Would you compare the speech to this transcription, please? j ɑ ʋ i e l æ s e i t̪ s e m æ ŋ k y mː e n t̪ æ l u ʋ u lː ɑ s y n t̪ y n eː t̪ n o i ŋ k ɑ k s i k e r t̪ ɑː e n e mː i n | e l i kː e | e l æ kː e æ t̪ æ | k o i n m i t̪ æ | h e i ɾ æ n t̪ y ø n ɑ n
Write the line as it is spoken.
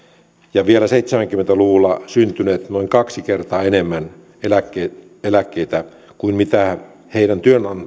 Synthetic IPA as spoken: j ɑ ʋ i e l æ s e i t̪ s e m æ ŋ k y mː e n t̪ æ l u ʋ u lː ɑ s y n t̪ y n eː t̪ n o i ŋ k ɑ k s i k e r t̪ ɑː e n e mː æ n | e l æ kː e | e l æ kː e i t̪ æ | k u i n m i t̪ æ | h e i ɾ æ n t̪ y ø n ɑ n